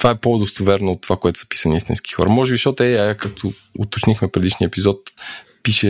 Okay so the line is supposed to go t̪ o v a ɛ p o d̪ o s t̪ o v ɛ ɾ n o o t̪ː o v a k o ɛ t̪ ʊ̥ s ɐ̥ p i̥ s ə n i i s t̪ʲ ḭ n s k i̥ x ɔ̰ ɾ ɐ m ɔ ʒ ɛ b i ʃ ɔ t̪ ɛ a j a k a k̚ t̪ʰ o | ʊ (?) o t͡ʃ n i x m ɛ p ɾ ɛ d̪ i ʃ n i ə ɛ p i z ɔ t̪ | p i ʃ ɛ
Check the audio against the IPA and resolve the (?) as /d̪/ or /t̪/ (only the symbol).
t̪